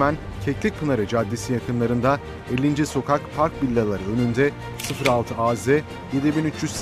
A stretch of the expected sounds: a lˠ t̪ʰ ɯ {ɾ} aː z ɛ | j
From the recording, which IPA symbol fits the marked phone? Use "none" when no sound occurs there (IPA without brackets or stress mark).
none